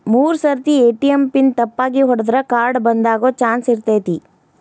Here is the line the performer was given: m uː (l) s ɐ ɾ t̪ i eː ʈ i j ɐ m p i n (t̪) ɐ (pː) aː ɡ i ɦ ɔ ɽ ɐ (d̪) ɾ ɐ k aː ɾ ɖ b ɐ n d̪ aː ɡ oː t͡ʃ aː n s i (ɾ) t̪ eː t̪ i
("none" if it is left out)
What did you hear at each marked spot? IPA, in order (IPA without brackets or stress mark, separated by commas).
ɾ, t̪, pː, d̪, ɾ